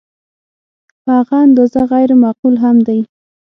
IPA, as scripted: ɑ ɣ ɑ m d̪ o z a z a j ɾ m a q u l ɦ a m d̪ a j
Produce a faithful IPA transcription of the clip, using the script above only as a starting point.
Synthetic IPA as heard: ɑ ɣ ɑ n d̪ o z a ɣ a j ɾ m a q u l ɦ a m d̪ a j

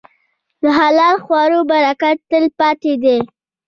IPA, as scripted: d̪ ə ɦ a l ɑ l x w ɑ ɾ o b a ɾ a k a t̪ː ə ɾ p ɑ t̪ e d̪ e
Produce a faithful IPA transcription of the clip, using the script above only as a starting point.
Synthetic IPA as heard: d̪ ə ɦ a l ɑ l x w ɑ ɾ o b a ɾ a k a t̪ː ə l p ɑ t̪ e d̪ e

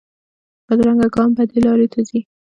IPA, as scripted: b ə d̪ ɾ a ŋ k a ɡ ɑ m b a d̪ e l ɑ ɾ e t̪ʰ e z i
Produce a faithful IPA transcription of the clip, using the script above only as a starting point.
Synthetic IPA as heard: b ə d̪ ɾ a ŋ ɡ a ɡ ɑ m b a d̪ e l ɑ ɾ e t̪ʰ a z i

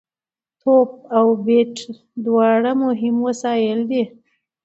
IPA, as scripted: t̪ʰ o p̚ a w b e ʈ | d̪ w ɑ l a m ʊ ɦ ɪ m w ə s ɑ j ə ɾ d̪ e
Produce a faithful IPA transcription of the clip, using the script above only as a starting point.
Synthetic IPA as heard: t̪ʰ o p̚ a w b e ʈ | d̪ w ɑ ɽ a m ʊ ɦ ɪ m w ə s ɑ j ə l d̪ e

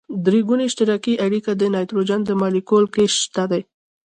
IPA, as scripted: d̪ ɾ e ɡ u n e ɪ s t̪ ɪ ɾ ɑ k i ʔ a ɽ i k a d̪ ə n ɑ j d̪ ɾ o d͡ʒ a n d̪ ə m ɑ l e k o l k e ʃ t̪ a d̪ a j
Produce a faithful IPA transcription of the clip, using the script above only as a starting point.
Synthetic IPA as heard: d̪ ɾ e ɡ u n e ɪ ʃ t̪ ɪ ɾ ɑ k i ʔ a ɽ i k a d̪ ə n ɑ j t̪ ɾ o d͡ʒ a n d̪ ə m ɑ l i k o l k e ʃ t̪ a d̪ a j

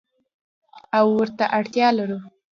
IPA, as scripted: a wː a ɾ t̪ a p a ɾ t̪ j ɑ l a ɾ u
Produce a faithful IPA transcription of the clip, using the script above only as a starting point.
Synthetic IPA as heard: a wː ə ɾ t̪ a ʔ a ɽ t̪ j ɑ l a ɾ u

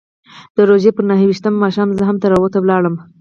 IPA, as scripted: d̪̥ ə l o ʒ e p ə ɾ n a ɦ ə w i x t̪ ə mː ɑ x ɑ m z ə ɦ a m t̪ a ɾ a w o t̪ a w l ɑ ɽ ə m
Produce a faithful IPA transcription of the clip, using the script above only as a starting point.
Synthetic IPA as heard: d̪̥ ə ɾ o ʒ e p ə ɾ n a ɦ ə w i ʃ t̪ ə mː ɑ ʃ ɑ m z ə ɦ a m t̪ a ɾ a w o t̪ a w l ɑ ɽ ə m

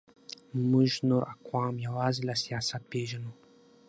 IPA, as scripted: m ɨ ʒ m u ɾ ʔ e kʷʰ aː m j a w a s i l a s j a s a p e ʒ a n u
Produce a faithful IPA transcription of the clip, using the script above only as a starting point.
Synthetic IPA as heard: m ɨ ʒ n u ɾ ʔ a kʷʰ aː m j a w a z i l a s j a s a p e ʒ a n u

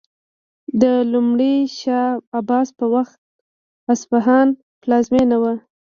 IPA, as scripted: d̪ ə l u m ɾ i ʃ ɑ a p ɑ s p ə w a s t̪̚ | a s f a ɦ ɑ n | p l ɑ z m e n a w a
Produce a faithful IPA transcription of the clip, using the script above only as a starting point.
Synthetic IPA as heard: d̪ ə l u m ɽ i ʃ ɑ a b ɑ s p ə w a x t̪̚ | a s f a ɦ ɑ n | p l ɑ z m e n a w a

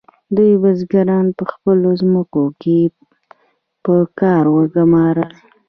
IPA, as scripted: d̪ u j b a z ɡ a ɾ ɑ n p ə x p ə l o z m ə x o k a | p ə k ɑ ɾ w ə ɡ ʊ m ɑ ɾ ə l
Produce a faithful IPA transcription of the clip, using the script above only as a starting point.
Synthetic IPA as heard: d̪ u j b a z ɡ a ɾ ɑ n p ə x p ə l o z m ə k o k e | p ə k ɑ ɾ w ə ɡ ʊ m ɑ ɾ ə l

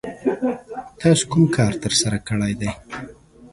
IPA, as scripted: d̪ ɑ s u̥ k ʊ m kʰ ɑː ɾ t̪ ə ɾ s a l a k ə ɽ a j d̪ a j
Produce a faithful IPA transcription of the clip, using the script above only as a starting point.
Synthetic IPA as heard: t̪ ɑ s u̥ k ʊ m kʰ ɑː ɾ t̪ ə ɾ s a ɾ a k ə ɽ a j d̪ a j

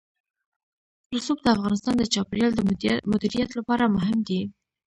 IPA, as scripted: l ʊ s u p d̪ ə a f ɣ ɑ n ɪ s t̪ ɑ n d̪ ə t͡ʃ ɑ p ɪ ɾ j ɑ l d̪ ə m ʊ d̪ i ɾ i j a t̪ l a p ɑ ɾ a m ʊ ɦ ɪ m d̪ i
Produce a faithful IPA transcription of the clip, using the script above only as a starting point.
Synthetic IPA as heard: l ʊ s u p d̪ ə a f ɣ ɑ n ɪ s t̪ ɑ n d̪ ə t͡ʃ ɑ p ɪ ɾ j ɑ l d̪ ə m ʊ d̪ i ɾ i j a t̪ l a p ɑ ɾ a m ʊ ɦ ɪ m d̪ i

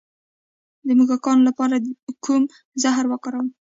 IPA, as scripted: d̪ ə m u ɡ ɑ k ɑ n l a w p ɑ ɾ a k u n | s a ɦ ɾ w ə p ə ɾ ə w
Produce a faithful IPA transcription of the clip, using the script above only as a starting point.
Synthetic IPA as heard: d̪ ə m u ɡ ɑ k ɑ n l a p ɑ ɾ a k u m | z a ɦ ɾ w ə k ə ɾ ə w

